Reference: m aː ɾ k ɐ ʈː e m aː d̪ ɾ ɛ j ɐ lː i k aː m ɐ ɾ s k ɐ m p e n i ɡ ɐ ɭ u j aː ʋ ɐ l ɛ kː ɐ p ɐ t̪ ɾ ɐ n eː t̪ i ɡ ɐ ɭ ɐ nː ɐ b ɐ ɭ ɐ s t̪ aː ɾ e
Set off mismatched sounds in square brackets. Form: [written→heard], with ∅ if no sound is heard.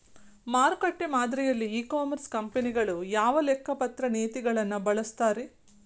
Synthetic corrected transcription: m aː ɾ k ɐ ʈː e m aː d̪ ɾ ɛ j ɐ lː [i→iː] k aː m ɐ ɾ s k ɐ m p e n i ɡ ɐ ɭ u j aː ʋ ɐ l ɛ kː ɐ p ɐ t̪ ɾ ɐ n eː t̪ i ɡ ɐ ɭ ɐ nː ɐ b ɐ ɭ ɐ s t̪ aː ɾ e